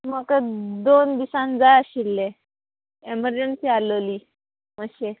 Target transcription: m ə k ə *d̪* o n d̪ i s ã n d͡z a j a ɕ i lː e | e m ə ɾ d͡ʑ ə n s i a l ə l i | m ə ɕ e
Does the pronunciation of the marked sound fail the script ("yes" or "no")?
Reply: no